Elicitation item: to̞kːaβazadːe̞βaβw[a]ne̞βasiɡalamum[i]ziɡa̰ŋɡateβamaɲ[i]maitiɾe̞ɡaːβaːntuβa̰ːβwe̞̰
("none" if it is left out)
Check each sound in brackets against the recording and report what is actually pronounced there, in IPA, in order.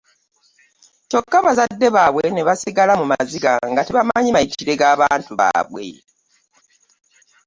e, a, i

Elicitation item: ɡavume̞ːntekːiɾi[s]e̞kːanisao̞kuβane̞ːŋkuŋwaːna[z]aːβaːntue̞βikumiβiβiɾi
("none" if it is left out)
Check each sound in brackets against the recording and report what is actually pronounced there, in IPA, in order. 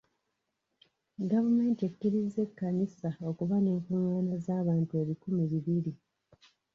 z, z

